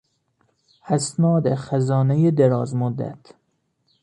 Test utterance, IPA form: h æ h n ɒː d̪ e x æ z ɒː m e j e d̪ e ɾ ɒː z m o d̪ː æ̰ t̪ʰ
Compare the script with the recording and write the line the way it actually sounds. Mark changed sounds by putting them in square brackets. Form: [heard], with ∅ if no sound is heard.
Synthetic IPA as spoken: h æ [s] n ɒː d̪ e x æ z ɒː [n] e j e d̪ e ɾ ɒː z m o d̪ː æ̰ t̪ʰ